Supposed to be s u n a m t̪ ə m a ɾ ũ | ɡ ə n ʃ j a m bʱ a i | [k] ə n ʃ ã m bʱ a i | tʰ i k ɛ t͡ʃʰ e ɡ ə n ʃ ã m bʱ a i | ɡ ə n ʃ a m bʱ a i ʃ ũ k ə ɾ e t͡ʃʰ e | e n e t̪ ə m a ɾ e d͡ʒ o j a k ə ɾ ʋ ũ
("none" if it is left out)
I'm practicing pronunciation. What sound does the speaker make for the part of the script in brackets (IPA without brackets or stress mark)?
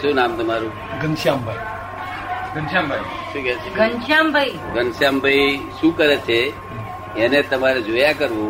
ɡ